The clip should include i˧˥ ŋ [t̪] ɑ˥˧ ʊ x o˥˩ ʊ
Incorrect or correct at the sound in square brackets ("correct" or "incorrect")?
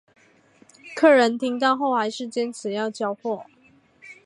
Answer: correct